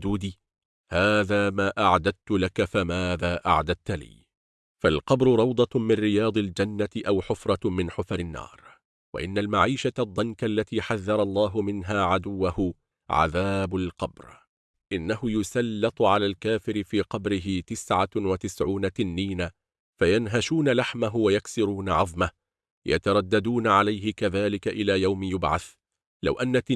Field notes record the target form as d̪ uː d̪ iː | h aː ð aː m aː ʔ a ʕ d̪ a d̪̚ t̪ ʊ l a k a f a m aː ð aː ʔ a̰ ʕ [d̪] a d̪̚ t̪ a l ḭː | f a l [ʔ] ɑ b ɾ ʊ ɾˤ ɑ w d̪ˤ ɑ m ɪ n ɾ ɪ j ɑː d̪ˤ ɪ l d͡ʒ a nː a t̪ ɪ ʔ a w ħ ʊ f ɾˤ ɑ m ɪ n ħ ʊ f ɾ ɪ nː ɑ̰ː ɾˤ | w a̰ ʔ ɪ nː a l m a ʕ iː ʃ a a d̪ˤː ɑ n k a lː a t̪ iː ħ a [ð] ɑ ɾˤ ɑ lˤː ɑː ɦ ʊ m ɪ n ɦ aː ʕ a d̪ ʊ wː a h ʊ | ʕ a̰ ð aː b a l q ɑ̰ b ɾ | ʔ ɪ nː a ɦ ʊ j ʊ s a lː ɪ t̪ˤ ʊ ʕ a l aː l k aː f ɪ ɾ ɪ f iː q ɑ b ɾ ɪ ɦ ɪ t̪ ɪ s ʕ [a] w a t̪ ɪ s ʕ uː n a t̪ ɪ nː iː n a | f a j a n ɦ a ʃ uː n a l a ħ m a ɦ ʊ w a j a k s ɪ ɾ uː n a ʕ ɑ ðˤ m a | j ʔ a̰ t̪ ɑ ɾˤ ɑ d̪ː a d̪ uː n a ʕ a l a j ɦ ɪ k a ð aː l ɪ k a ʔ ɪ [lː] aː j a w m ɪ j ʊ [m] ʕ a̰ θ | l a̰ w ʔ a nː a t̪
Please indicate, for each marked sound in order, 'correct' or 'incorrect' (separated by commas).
correct, incorrect, incorrect, correct, incorrect, incorrect